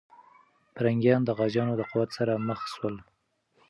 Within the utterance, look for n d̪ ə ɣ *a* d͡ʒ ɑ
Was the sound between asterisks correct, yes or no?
no